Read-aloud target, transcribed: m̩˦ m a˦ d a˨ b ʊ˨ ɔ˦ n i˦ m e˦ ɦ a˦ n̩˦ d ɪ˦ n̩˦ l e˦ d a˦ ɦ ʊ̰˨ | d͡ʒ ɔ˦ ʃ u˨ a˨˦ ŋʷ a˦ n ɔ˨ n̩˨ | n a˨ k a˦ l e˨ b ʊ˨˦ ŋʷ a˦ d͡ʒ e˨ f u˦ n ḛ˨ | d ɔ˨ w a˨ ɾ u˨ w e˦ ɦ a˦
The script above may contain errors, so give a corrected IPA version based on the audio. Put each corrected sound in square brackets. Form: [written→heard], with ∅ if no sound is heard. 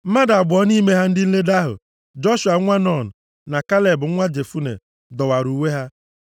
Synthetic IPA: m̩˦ m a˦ d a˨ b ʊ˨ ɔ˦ n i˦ m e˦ ɦ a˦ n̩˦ d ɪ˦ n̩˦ l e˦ d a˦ ɦ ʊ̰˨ | d͡ʒ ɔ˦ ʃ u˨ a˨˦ ŋʷ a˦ n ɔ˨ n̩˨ | n a˨ k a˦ l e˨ b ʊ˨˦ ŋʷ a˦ d͡ʒ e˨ f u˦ n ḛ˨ | d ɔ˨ w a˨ ɾ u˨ w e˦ ɦ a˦